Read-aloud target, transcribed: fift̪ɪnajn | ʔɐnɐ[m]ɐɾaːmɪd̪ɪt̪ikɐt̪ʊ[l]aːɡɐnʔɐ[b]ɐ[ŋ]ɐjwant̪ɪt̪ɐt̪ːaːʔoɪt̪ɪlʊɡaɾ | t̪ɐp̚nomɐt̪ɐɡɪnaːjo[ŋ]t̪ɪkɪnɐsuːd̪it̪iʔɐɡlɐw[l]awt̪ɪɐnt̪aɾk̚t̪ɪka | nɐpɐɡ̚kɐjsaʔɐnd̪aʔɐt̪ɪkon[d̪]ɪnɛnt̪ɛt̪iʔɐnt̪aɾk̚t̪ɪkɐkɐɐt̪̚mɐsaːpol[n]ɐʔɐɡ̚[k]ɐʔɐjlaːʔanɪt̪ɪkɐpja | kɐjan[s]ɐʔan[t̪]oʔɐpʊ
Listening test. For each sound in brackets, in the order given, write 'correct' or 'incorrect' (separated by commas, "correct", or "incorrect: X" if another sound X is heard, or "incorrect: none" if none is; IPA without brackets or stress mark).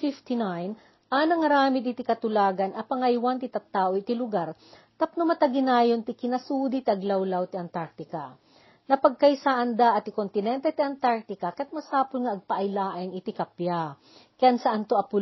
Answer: incorrect: ŋ, correct, incorrect: p, correct, incorrect: n, correct, incorrect: t̪, incorrect: ŋ, incorrect: p, correct, correct